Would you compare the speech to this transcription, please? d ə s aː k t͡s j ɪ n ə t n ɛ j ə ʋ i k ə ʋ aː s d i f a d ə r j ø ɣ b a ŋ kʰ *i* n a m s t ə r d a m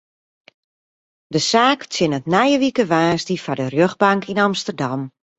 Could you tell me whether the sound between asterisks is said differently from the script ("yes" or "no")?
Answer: no